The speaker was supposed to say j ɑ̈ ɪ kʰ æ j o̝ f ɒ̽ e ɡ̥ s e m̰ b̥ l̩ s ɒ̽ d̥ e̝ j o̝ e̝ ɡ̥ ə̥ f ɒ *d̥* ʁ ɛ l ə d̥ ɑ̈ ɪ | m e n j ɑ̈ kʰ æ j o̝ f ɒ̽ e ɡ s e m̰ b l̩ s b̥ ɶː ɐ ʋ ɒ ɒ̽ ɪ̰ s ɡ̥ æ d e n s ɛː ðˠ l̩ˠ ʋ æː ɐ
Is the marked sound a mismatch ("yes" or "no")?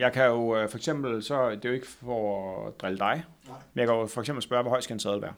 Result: no